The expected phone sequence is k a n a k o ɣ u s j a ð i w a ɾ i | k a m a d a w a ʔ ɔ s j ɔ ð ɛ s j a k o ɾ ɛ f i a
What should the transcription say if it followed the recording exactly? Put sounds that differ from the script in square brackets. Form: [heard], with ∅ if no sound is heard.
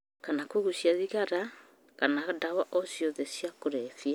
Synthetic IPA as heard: k a n a k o ɣ u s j a ð i [ɣ] a ɾ [a] | k a [n] a d a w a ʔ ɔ s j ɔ ð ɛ s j a k o ɾ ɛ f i a